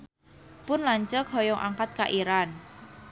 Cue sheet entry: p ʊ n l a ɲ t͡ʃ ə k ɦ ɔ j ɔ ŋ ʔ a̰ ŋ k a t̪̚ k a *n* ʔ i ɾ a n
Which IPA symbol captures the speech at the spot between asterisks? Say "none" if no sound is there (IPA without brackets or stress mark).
none